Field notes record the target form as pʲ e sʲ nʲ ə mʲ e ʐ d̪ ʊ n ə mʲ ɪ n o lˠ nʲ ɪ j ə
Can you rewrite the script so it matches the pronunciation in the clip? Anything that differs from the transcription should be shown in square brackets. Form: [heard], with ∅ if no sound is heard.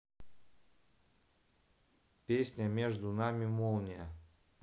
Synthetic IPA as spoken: pʲ e sʲ nʲ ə mʲ e ʐ d̪ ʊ n [a] mʲ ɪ [m] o lˠ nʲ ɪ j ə